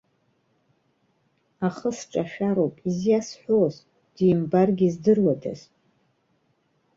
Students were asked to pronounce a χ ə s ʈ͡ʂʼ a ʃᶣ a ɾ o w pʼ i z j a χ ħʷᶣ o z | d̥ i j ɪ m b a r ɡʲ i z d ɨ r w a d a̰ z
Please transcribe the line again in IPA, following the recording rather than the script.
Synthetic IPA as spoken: a χ ə s ʈ͡ʂʼ a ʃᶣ a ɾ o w pʼ i z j a s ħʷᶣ o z | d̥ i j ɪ m b a r ɡʲ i z d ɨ r w a d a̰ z

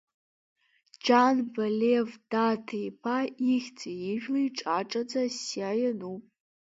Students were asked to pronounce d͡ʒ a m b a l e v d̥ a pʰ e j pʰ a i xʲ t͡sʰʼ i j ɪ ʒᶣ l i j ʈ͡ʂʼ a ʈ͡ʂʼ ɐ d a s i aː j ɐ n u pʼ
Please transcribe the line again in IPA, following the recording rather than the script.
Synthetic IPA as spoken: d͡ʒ a n b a l e v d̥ a tʰ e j pʰ a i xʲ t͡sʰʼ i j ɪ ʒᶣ l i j ʈ͡ʂʼ a ʈ͡ʂʼ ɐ d͡z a s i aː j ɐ n u pʼ

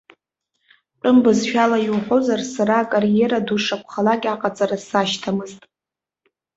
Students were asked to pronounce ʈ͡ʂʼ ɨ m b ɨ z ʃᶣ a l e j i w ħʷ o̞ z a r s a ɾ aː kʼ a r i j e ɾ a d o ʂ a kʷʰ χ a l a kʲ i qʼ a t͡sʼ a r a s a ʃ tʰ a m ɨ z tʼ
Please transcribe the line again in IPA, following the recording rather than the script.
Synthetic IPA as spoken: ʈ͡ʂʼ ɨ m b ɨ z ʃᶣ a l a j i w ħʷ o̞ z a r s a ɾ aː kʼ a r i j e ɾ a d u ʂ a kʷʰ χ a l a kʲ a qʼ a t͡sʼ a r a s a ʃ tʰ a m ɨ z tʼ

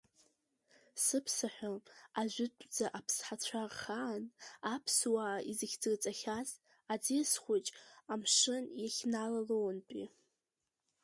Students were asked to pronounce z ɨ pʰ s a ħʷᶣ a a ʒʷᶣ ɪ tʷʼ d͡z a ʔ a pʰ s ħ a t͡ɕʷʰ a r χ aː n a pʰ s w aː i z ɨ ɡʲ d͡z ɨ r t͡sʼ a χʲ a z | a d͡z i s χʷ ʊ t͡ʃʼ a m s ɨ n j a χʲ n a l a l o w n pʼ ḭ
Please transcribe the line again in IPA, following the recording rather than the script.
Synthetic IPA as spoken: s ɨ pʰ s a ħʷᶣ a a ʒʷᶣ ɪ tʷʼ d͡z a ʔ a pʰ s ħ a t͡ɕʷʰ a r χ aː n a pʰ s w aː i z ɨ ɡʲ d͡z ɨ r t͡sʼ a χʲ a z | a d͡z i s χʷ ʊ t͡ʃʼ a m ʂ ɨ n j a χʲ n a l a l o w n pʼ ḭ

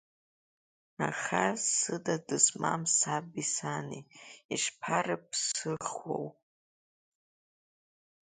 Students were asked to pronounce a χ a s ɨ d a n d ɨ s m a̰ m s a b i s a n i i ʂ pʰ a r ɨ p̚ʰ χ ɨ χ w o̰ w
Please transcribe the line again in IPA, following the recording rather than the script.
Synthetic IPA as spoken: a χ a s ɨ d a d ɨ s m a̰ m s a b i s a n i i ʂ pʰ a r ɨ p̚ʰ s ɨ χ w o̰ w

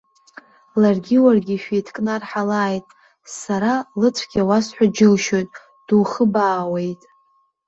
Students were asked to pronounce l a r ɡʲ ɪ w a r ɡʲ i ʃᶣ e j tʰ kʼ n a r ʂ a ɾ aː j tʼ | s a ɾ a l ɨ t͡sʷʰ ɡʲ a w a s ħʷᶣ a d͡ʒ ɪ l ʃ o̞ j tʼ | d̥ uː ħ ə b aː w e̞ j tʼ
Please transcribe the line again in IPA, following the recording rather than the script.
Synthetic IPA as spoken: l a r ɡʲ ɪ w a r ɡʲ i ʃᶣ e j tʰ kʼ n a r ħ a l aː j tʼ | s a ɾ a l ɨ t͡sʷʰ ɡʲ a w a s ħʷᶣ a d͡ʒ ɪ l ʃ o̞ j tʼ | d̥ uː χ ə b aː w e̞ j tʼ

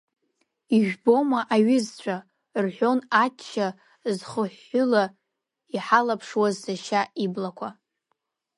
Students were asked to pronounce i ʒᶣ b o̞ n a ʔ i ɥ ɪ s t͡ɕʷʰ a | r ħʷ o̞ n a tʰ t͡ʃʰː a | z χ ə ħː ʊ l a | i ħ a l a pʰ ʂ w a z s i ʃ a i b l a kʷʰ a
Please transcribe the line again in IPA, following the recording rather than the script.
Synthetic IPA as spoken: i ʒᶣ b o̞ m a ʔ a ɥ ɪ z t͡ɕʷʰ a | r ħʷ o̞ n a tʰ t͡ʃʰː a | z χ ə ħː ʊ l a | i ħ a l a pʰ ʂ w a z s a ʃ a i b l a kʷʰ a

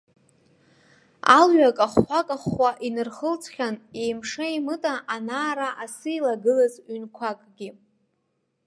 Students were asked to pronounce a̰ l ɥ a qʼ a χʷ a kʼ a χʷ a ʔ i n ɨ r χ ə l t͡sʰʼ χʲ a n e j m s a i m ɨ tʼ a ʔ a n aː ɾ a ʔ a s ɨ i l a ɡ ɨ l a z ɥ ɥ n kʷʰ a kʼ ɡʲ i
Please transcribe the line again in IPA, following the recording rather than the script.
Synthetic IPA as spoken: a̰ l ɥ a kʼ a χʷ a kʼ a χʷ a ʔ i n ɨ r χ ə l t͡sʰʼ χʲ a n e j m ʂ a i m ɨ tʼ a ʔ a n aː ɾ a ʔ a s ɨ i l a ɡ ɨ l a z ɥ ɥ n kʷʰ a kʼ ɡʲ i

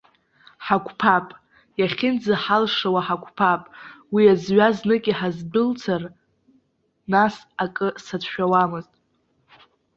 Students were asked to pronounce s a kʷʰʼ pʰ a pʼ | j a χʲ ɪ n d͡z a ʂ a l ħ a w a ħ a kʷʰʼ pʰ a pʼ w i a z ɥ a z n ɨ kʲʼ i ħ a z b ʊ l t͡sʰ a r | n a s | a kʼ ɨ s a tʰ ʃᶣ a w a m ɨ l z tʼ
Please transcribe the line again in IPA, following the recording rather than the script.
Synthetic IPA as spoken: ħ a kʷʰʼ pʰ a pʼ | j a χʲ ɪ n d͡z a ħ a l ʂ a w a ħ a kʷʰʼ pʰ a pʼ w i a z ɥ a z n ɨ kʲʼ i ħ a z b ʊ l t͡sʰ a r | n a s | a kʼ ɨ s a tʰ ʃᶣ a w a m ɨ z tʼ

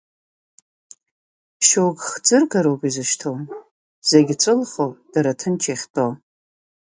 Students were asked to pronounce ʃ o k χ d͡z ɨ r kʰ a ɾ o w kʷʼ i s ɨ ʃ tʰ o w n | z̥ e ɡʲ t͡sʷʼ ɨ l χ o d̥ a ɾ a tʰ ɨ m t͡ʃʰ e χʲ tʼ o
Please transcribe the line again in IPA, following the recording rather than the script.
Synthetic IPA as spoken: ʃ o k χ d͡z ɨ r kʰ a ɾ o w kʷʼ i z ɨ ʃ tʰ o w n | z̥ e ɡʲ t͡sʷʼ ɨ l χ o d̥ a ɾ a tʰ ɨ n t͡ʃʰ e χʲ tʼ o

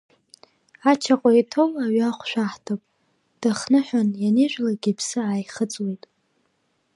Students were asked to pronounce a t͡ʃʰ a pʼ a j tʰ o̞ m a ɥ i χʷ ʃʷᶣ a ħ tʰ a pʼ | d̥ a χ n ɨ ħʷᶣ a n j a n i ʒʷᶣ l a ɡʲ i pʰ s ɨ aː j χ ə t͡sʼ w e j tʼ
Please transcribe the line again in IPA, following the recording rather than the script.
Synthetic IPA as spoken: a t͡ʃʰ a qʼ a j tʰ o̞ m a ɥ a χʷ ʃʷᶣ a ħ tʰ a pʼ | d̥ a χ n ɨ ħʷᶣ a n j a n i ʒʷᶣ l a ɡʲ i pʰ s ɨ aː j χ ə t͡sʼ w e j tʼ

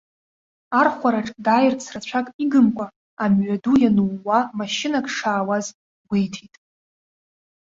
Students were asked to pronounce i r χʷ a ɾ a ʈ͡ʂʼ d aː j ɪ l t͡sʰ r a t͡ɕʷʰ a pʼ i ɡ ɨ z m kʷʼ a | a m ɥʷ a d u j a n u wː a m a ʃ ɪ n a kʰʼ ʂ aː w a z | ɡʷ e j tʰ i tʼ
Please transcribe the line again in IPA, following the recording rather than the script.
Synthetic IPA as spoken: a r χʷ a ɾ a ʈ͡ʂʼ d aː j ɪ r t͡sʰ r a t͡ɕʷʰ a kʼ i ɡ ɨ m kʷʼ a | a m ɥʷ a d u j a n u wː a m a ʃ ɪ n a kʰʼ ʂ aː w a z | ɡʷ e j tʰ i tʼ

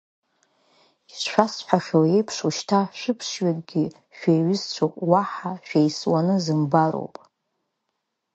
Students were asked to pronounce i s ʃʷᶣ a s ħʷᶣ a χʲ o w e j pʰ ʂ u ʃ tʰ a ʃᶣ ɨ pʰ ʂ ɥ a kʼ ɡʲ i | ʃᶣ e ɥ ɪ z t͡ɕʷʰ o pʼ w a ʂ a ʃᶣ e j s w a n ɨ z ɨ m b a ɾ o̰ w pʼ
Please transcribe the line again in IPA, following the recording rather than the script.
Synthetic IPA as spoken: i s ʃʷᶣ a s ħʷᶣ a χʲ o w e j pʰ ʂ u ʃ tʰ a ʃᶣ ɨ pʰ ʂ ɥ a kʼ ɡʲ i | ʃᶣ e ɥ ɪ z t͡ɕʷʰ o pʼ w a ħ a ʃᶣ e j s w a n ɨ z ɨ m b a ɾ o̰ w pʼ

